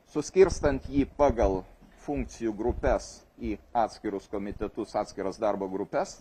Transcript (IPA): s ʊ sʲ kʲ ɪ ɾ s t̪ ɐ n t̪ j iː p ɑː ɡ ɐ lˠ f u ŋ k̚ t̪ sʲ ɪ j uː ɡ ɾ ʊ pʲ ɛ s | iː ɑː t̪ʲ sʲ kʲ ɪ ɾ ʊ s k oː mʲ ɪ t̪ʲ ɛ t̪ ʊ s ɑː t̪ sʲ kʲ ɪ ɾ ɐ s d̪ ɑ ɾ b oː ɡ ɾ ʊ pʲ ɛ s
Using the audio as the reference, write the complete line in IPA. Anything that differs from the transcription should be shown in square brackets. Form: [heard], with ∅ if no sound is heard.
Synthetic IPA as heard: s ʊ sʲ kʲ ɪ ɾ s t̪ ɐ n t̪ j iː p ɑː ɡ ɐ lˠ f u ŋ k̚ t̪ sʲ ɪ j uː ɡ ɾ ʊ pʲ ɛ s | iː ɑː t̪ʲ sʲ kʲ ɪ ɾ ʊ s k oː mʲ ɪ t̪ʲ ɛ t̪ ʊ s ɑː t̪ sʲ kʲ ɪ ɾ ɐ s d̪ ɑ ɾ b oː ɡ ɾ ʊ pʲ ɛ s